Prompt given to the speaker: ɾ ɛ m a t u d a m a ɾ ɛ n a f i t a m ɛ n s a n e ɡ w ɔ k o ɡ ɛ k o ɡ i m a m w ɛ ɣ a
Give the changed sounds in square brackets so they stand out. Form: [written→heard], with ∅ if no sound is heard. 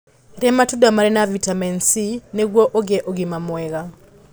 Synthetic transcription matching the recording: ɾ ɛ m a t u d a m a ɾ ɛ n a [f→v] i t a m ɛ n s [a→i] n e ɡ w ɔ [k→ʔ] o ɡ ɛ [k→ʔ] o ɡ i m a m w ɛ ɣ a